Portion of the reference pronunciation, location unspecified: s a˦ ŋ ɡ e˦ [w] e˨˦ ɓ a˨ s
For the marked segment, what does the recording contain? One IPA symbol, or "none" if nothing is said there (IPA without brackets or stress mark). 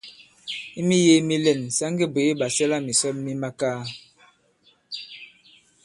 b